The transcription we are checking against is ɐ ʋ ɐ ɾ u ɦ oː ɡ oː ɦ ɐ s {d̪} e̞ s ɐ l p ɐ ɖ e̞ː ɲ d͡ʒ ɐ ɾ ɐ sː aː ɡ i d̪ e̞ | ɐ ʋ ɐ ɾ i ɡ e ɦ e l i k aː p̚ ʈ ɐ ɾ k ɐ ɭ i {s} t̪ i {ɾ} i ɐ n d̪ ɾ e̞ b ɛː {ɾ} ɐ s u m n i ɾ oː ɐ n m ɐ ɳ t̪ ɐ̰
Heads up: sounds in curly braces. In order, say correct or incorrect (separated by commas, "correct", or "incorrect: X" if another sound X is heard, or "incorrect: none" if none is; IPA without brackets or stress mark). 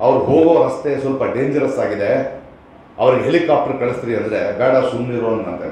incorrect: t̪, correct, correct, incorrect: ɽ